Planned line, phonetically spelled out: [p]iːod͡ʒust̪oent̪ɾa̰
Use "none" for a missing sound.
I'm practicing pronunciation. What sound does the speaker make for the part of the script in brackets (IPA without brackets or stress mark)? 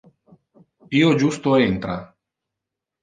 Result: p